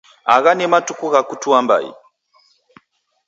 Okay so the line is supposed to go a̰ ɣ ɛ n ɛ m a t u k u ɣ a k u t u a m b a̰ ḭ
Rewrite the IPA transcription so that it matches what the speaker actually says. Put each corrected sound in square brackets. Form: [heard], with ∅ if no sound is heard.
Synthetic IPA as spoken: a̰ ɣ [a] n ɛ m a t u k u ɣ a k u t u a m b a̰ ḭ